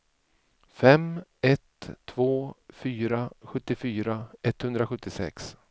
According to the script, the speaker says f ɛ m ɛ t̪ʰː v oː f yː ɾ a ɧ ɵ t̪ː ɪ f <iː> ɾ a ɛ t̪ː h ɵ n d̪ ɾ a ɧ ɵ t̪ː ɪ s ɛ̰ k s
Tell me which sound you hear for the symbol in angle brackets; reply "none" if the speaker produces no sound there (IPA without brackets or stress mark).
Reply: yː